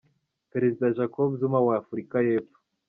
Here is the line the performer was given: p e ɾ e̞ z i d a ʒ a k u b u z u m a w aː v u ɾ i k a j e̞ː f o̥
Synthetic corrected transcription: p e ɾ e̞ z i d a ʒ a k o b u z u m a w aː f u ɾ i k a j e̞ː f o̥